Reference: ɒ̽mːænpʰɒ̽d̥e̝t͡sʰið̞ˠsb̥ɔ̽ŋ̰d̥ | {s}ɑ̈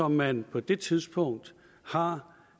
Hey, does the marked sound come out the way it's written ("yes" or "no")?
no